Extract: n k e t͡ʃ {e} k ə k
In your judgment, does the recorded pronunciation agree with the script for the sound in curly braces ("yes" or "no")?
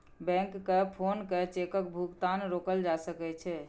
yes